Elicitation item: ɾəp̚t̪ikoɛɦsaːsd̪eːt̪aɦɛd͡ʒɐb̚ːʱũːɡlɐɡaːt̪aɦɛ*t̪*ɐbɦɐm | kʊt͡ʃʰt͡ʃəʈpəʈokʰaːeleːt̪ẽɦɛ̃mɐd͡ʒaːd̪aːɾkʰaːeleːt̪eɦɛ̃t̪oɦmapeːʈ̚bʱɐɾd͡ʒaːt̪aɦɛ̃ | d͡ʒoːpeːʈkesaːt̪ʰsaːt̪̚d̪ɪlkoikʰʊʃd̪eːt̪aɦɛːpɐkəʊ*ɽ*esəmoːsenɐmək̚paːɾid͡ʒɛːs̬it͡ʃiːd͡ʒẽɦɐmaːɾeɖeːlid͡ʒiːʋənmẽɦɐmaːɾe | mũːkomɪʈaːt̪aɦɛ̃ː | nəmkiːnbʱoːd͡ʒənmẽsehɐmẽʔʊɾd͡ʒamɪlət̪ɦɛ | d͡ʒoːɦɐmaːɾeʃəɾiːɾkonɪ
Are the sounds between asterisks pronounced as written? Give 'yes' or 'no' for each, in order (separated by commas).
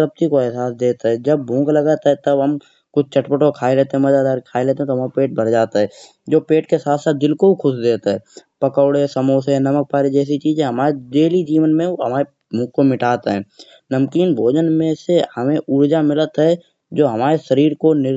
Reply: yes, yes